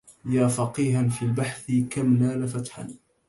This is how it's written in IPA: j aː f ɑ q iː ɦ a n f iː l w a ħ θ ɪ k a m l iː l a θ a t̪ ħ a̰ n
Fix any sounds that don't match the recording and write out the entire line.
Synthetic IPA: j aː f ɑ q iː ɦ a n f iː l b a ħ θ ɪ k a m l aː l a f a t̪ ħ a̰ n